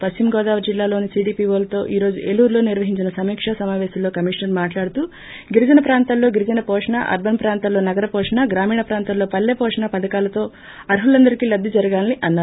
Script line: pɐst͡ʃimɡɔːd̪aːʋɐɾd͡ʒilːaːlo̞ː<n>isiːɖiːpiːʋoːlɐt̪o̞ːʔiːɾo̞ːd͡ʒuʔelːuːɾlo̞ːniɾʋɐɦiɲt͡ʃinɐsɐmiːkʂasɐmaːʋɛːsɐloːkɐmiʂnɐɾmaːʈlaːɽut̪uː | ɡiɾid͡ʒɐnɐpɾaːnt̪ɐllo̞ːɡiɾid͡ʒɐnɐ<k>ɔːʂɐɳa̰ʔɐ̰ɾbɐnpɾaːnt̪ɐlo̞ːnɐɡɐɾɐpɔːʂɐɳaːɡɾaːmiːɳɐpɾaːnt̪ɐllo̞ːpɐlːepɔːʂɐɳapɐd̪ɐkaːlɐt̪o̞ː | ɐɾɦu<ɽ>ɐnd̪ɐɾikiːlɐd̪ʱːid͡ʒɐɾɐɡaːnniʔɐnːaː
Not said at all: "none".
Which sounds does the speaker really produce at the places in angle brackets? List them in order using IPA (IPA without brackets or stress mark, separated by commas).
n, p, l